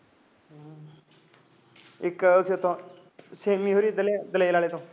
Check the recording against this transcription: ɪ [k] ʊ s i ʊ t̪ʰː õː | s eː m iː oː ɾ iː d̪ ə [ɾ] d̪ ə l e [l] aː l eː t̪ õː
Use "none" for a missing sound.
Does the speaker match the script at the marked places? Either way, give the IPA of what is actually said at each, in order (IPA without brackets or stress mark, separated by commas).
k, l, l